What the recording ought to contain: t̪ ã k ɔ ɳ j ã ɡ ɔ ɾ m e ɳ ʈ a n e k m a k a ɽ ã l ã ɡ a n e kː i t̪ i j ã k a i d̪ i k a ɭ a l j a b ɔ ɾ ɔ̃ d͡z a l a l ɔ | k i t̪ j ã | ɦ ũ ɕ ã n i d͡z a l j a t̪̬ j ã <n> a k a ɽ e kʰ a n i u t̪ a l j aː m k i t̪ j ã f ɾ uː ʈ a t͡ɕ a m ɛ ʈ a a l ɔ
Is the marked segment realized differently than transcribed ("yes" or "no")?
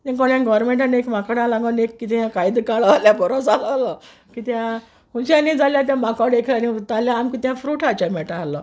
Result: yes